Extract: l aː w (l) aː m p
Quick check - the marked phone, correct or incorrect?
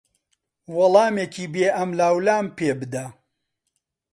correct